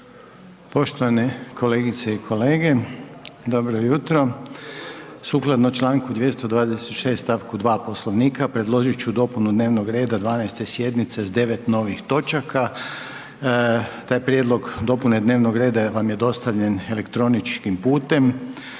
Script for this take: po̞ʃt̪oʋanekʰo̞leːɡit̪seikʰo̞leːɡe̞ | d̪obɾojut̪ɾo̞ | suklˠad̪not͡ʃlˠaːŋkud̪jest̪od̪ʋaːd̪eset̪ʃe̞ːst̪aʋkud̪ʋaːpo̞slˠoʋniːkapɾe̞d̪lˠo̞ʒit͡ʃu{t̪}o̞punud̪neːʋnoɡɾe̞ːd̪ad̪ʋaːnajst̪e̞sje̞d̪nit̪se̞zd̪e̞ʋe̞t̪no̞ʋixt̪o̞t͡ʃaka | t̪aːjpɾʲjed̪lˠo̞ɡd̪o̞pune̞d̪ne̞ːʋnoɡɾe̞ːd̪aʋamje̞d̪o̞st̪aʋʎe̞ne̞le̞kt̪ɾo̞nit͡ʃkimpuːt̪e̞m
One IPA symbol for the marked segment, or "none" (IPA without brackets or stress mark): d̪